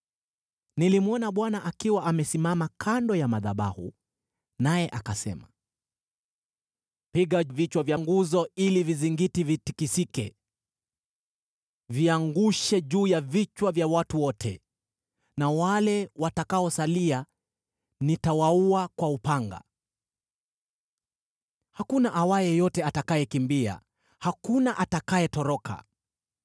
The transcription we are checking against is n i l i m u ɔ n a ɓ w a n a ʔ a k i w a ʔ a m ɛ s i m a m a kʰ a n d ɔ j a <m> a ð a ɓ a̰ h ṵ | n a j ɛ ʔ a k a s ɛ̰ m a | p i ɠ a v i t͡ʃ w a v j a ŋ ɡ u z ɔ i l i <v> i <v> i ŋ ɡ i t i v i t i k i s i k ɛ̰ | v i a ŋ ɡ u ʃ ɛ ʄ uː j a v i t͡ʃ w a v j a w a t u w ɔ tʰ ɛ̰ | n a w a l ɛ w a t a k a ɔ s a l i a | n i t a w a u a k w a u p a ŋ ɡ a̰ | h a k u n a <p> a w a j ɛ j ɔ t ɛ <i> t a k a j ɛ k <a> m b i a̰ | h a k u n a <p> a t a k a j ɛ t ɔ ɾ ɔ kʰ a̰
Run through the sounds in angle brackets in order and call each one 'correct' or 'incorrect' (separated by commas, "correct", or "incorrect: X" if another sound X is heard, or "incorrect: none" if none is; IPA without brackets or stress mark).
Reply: correct, correct, incorrect: z, incorrect: ʔ, incorrect: a, incorrect: i, incorrect: ʔ